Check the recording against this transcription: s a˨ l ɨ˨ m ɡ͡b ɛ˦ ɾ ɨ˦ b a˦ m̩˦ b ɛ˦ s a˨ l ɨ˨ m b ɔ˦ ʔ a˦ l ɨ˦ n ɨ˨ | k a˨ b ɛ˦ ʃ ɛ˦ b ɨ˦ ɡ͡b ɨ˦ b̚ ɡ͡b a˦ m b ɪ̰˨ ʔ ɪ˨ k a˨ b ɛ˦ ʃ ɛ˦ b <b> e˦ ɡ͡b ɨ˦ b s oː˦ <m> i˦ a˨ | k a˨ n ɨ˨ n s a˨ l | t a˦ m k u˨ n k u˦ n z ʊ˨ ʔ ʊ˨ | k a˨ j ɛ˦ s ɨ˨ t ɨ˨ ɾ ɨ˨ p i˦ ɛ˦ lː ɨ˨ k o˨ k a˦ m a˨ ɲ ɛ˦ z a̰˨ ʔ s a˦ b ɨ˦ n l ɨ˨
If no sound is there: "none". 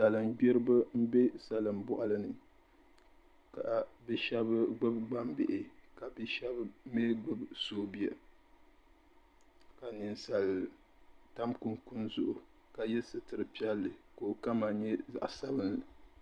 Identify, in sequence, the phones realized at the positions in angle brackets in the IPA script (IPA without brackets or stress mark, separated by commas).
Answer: m, b